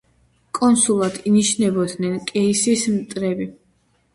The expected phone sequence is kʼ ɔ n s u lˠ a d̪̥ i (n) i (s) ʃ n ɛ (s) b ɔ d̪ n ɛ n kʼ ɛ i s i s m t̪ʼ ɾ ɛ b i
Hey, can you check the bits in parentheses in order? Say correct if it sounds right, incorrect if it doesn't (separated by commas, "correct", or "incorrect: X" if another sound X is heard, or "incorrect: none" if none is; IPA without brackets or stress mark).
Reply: correct, incorrect: none, incorrect: none